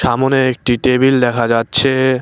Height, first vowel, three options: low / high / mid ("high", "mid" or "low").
low